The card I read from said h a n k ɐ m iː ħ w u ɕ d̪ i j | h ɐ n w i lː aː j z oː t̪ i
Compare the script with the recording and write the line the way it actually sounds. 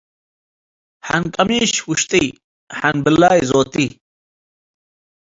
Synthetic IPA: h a n k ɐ m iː ɕ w u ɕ t̪ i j | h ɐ n b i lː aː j z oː t̪ i